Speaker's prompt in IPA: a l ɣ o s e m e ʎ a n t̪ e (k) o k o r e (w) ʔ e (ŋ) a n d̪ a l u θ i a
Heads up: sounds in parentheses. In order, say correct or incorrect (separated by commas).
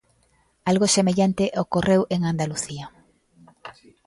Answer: incorrect, correct, correct